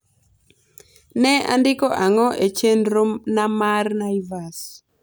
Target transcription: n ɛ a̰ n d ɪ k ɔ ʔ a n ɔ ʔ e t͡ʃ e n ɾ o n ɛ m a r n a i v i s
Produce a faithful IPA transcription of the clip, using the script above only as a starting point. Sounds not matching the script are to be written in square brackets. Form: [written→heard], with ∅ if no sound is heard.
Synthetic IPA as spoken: n ɛ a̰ n d ɪ k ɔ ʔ a [n→ŋ] ɔ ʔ e t͡ʃ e n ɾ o n [ɛ→a] m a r n a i v [i→a] s